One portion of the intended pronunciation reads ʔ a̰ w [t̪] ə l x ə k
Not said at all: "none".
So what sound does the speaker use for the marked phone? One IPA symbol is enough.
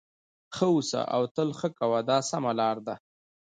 t̪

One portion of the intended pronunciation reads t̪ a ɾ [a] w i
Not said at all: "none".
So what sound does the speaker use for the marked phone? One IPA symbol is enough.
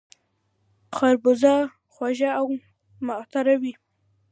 a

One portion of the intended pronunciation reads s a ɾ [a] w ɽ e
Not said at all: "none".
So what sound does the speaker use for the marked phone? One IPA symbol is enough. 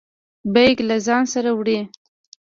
a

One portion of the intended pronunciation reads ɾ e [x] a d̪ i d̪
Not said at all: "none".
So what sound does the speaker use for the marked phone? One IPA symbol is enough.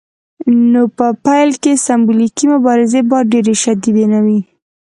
ʃ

